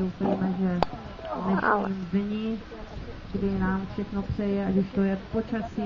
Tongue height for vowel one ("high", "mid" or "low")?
mid